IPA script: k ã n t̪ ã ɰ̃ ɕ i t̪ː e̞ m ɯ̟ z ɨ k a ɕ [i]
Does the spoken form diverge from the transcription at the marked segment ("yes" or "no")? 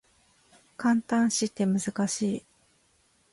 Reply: yes